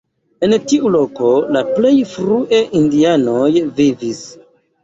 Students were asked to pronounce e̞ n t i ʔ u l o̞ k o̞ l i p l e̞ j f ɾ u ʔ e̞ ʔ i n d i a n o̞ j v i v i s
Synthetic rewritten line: e̞ n t i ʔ u l o̞ k o̞ l a p l e̞ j f ɾ u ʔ e̞ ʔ i n d i a n o̞ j v i v i s